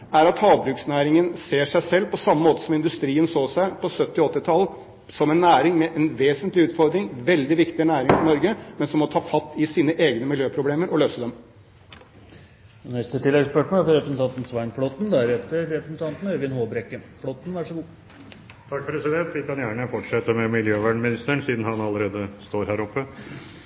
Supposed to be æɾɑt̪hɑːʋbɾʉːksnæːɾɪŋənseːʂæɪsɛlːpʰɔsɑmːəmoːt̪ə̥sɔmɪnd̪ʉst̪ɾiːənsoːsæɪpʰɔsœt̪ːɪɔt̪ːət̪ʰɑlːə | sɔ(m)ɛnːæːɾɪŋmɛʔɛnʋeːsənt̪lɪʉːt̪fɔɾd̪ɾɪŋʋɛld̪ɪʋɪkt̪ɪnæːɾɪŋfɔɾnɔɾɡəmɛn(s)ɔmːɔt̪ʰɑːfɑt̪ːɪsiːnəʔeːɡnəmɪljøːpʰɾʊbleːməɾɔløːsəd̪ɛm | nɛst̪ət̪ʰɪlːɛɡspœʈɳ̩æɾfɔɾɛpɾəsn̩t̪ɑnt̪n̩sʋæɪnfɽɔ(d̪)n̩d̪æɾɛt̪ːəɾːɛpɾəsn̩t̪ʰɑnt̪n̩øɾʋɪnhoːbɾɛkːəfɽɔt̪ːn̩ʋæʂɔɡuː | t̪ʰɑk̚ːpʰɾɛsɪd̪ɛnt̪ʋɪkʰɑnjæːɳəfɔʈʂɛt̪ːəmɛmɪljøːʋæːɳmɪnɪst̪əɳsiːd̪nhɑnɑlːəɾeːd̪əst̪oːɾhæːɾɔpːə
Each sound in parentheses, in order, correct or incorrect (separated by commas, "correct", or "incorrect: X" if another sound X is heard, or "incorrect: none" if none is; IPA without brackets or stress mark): correct, correct, incorrect: t̪